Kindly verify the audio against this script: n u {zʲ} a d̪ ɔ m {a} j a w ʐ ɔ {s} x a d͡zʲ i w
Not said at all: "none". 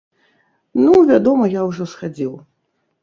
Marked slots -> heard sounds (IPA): vʲ, ɐ, s

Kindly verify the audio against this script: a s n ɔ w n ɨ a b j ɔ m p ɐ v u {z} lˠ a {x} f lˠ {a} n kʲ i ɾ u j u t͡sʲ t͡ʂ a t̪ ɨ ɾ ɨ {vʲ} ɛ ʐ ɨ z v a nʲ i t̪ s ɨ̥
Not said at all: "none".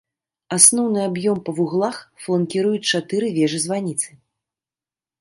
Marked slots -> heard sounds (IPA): ɣ, x, ɐ, vʲ

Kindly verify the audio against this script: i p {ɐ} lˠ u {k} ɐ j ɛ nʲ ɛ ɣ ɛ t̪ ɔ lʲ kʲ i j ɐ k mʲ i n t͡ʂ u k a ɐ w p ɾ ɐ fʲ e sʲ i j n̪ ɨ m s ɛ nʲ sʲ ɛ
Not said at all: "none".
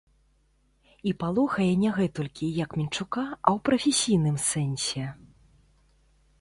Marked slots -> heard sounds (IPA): a, x

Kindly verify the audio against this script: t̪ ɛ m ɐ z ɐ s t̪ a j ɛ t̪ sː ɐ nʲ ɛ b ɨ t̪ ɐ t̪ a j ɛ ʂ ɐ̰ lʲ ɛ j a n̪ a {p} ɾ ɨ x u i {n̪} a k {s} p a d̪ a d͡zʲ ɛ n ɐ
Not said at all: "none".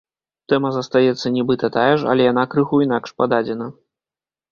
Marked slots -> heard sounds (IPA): k, n̪, ʂ

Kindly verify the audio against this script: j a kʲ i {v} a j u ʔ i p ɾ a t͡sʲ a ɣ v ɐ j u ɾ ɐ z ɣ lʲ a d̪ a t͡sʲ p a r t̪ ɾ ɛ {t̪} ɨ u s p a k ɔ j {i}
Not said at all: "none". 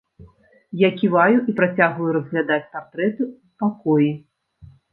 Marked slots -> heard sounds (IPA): v, t̪, i

